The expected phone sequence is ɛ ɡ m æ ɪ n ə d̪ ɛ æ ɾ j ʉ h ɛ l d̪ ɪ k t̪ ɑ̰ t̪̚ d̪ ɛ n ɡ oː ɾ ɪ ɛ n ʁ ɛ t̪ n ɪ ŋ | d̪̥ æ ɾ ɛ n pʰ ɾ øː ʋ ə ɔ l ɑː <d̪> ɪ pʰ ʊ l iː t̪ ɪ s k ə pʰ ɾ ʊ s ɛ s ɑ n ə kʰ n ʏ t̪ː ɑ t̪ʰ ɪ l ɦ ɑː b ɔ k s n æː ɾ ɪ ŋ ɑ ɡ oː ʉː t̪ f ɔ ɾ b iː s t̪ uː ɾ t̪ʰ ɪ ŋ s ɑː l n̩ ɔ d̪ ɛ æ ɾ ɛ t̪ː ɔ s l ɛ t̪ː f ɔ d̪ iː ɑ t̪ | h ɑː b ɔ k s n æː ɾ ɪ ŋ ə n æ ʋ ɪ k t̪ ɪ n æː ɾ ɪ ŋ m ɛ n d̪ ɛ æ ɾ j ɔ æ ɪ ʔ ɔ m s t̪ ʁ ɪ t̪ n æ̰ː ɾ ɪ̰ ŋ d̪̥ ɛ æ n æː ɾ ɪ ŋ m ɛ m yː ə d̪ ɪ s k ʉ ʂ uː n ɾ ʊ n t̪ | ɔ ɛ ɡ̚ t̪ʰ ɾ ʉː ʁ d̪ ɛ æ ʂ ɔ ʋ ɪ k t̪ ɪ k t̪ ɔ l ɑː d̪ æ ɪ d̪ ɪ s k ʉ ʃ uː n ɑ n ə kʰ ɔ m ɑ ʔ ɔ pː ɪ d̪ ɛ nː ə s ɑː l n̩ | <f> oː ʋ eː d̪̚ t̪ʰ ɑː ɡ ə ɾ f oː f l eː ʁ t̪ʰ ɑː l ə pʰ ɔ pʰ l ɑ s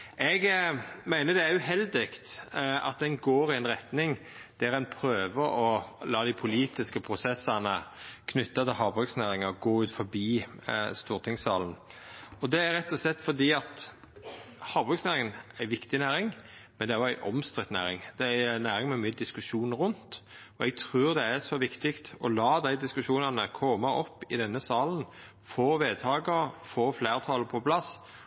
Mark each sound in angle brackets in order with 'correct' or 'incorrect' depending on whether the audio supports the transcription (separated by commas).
correct, correct